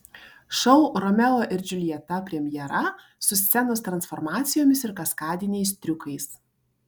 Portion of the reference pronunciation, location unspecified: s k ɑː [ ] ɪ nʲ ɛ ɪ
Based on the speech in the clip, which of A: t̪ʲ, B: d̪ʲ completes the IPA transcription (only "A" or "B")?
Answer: B